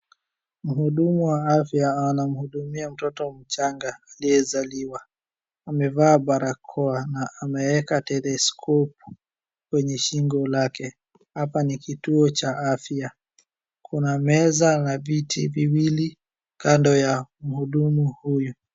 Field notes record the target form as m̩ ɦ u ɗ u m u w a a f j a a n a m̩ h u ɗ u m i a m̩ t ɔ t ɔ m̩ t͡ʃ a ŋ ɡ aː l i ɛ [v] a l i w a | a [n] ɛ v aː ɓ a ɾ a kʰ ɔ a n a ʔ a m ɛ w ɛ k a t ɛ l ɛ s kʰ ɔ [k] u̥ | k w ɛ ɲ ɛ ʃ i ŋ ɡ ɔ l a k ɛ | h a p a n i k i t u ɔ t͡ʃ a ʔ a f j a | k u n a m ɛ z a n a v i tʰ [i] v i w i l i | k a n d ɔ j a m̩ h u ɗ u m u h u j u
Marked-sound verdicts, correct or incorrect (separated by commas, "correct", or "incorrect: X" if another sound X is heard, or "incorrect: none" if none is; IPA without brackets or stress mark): incorrect: z, incorrect: m, incorrect: p, correct